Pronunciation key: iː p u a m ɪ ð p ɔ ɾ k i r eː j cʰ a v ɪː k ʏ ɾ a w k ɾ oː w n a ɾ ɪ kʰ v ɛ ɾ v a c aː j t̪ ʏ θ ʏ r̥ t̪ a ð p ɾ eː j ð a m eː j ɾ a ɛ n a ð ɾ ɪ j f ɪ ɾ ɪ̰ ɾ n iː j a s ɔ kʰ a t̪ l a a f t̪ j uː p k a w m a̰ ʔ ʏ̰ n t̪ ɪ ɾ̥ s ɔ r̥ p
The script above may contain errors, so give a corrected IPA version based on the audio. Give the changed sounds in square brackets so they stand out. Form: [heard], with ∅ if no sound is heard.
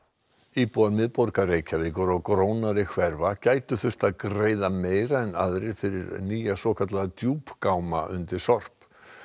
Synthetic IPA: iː p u a m ɪ ð p ɔ ɾ k [a] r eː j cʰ a v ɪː k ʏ ɾ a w k ɾ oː w n a ɾ ɪ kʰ v ɛ ɾ v a c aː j t̪ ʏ θ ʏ r̥ t̪ a ð [k] ɾ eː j ð a m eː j ɾ a ɛ n a ð ɾ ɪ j f ɪ ɾ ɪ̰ ɾ n iː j a s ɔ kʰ a t̪ l a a [∅] t̪ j uː p k a w m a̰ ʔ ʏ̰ n t̪ ɪ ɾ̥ s ɔ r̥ p